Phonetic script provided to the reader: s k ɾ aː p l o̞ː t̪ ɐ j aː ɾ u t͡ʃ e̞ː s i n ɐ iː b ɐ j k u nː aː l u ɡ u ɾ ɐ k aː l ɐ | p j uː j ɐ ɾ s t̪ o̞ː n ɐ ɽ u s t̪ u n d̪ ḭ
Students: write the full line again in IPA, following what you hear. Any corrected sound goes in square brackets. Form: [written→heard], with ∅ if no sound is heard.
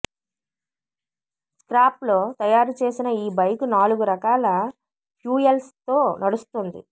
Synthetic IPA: s k ɾ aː p l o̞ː t̪ ɐ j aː ɾ u t͡ʃ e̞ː s i n ɐ iː b ɐ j k u [nː→n] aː l u ɡ u ɾ ɐ k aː l ɐ | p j uː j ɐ [ɾ→l] s t̪ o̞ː n ɐ ɽ u s t̪ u n d̪ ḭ